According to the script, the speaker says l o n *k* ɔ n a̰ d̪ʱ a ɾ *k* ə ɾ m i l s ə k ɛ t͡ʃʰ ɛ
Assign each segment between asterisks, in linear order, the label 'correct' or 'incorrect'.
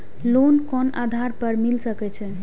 correct, incorrect: p

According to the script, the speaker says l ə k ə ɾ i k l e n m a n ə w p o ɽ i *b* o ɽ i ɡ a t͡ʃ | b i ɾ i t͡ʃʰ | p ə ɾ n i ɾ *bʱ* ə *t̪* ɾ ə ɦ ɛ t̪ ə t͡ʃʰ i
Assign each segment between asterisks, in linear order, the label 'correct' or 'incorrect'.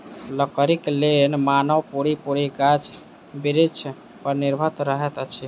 incorrect: p, correct, correct

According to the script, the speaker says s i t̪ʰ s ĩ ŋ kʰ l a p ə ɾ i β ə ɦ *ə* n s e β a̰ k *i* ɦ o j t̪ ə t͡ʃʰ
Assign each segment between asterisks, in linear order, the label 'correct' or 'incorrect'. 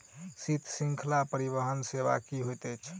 correct, correct

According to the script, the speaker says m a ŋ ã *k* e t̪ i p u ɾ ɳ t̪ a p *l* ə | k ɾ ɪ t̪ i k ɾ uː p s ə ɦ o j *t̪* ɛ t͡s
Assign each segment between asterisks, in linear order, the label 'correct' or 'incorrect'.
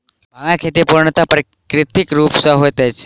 incorrect: kʰ, incorrect: ɾ, correct

